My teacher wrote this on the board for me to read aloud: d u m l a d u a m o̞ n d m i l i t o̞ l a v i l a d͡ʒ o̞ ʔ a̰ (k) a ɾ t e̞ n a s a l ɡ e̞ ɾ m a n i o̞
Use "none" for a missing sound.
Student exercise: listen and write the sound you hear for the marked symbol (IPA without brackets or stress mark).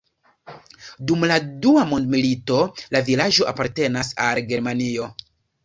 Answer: p